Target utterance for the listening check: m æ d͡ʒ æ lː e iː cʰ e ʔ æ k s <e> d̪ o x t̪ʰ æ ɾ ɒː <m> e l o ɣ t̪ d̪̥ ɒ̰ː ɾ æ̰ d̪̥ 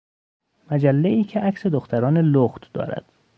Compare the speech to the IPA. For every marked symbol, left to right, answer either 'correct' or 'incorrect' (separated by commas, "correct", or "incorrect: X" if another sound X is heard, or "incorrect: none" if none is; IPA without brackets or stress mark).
correct, incorrect: n